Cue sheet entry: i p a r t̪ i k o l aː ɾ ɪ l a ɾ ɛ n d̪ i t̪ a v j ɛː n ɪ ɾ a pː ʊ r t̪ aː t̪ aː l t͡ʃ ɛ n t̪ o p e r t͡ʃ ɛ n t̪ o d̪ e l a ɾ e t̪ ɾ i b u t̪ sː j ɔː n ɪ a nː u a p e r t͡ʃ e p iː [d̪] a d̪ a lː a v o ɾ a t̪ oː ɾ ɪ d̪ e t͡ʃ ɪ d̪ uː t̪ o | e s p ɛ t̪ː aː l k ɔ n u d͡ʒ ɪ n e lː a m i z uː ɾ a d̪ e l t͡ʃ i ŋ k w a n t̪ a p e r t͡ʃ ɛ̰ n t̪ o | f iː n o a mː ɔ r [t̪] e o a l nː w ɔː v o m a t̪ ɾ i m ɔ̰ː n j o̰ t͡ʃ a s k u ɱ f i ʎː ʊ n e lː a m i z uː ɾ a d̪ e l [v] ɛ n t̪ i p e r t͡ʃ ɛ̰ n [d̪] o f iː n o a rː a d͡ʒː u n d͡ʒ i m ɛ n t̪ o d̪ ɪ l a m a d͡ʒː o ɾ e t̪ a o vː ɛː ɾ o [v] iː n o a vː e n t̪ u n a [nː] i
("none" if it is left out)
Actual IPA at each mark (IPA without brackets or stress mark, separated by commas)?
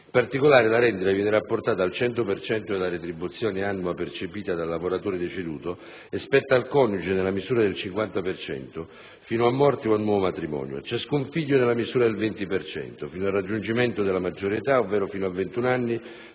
t̪, t̪, v, t̪, f, nː